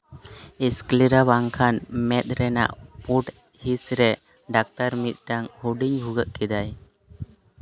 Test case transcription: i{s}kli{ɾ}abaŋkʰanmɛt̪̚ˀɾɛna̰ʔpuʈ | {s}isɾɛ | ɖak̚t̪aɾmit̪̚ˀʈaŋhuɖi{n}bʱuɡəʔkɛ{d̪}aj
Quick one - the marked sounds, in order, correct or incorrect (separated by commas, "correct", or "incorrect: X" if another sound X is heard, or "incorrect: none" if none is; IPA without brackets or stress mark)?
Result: correct, correct, incorrect: h, incorrect: ɲ, correct